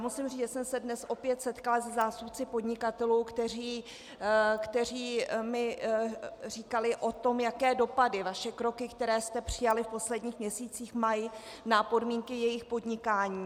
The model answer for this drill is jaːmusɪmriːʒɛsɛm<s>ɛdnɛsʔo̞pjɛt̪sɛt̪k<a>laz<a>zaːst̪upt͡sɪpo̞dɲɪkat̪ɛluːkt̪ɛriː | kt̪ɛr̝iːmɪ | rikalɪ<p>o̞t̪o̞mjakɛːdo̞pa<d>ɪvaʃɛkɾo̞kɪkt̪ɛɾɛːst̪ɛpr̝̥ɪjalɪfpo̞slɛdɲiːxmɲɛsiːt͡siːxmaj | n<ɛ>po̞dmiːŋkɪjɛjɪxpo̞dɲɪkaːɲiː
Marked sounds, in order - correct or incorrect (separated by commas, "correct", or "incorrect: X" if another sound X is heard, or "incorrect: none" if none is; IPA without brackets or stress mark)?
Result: correct, correct, incorrect: ɛ, incorrect: ʔ, correct, incorrect: a